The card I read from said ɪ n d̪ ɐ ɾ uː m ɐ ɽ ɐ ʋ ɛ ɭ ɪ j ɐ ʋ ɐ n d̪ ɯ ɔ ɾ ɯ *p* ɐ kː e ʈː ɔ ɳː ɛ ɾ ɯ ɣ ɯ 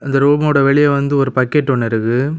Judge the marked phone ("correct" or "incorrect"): correct